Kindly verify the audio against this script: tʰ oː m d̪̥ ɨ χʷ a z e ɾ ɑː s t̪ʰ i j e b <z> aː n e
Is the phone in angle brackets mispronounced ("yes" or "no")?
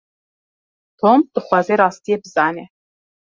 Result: no